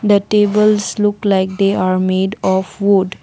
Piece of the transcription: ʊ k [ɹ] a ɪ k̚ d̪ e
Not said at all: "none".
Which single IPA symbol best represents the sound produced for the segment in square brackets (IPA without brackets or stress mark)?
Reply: l